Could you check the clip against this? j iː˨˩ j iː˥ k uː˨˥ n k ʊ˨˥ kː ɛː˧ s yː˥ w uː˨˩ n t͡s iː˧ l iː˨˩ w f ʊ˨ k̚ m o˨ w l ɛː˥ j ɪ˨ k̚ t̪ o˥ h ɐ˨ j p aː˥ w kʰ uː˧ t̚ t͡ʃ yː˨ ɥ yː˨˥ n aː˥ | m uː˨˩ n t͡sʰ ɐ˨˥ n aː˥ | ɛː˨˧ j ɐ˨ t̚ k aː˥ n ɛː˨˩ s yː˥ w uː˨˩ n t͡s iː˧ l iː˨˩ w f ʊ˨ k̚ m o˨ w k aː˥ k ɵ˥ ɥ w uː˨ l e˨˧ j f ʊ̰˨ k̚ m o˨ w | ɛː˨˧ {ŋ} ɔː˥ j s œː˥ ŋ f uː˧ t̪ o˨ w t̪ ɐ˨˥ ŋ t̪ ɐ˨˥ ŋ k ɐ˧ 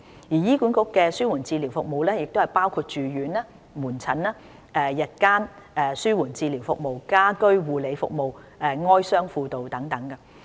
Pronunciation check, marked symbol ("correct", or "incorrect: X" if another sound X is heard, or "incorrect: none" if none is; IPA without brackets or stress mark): correct